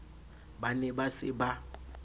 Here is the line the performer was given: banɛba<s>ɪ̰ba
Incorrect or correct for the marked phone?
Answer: correct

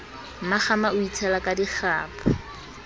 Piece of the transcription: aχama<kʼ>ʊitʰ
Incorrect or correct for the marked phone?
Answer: incorrect: none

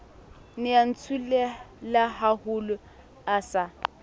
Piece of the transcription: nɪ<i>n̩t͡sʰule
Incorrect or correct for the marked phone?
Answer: incorrect: a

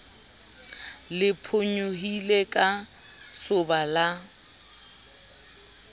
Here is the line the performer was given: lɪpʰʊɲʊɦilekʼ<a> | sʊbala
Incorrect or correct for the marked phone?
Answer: correct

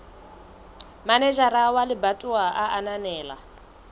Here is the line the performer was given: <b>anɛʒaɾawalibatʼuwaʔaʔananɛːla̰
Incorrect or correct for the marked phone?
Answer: incorrect: m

